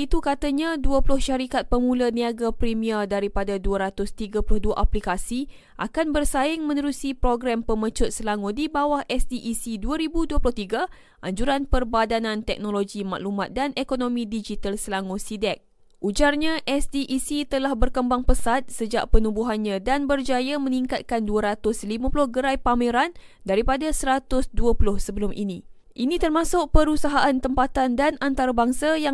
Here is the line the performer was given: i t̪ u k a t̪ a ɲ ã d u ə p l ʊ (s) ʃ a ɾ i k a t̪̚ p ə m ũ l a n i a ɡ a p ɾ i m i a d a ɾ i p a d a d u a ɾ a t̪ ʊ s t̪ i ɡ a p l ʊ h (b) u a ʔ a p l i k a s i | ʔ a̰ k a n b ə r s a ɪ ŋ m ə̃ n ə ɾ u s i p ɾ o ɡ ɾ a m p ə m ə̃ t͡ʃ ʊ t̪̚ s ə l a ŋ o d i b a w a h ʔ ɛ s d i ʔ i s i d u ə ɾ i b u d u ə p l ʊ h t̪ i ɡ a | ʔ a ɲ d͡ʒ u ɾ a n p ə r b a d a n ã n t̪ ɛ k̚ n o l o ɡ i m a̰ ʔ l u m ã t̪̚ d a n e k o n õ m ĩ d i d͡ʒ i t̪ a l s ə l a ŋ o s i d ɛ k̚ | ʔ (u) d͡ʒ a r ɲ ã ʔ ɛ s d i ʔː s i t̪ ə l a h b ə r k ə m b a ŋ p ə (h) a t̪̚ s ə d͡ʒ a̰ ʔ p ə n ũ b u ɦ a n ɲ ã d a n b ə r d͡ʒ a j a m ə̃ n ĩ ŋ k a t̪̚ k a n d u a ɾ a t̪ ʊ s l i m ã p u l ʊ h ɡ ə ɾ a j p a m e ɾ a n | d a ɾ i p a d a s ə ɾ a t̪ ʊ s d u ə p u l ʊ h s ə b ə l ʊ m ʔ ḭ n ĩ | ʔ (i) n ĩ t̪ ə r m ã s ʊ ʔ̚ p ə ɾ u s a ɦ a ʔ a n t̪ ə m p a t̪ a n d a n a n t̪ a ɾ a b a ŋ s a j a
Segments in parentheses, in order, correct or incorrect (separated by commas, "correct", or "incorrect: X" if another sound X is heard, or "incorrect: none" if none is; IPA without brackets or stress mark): incorrect: h, incorrect: d, correct, incorrect: s, correct